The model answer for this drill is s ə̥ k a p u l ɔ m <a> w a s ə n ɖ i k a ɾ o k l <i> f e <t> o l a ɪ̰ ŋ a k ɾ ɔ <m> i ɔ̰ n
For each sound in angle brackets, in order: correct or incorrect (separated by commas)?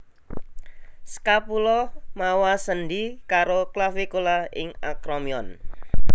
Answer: correct, incorrect, incorrect, correct